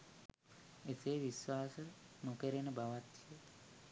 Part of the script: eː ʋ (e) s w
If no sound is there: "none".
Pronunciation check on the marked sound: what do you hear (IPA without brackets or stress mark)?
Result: i